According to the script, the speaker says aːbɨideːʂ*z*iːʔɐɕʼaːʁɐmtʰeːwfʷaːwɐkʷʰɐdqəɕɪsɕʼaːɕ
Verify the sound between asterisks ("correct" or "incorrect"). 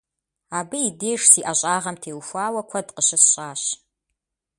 incorrect